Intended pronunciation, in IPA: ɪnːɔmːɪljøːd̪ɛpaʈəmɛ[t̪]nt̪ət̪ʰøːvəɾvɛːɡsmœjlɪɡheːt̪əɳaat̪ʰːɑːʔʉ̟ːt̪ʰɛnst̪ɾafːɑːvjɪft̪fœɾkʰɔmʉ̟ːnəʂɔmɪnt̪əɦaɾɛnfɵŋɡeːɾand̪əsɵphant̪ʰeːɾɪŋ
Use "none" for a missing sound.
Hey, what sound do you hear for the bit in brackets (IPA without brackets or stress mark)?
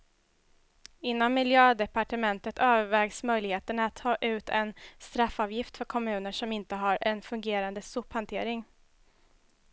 none